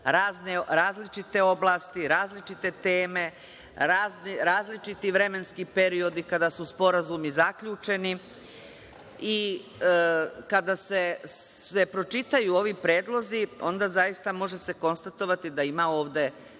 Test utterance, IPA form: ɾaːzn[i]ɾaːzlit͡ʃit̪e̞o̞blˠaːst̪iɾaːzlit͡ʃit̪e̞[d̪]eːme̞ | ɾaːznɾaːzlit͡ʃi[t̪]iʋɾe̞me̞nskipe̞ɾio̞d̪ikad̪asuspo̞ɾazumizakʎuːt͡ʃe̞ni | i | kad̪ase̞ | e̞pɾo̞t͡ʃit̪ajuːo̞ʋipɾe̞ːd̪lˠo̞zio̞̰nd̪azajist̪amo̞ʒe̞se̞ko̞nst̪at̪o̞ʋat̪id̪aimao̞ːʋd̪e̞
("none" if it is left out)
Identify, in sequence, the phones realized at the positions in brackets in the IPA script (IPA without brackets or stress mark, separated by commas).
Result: e, t̪, t̪